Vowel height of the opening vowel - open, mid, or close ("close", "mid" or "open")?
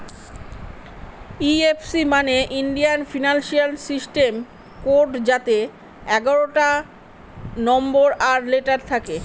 close